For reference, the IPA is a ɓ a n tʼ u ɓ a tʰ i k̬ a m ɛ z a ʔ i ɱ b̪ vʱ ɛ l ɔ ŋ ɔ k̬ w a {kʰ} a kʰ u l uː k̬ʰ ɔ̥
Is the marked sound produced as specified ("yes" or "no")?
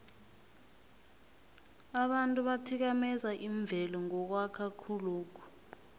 yes